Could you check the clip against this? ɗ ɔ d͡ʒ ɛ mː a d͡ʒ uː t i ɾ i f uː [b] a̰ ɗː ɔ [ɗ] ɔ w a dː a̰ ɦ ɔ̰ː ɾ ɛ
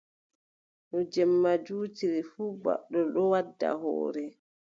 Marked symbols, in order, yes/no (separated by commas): yes, yes